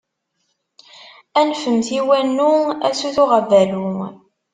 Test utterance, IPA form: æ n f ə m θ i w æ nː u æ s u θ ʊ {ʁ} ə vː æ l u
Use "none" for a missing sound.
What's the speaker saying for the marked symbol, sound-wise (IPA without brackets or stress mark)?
ʁ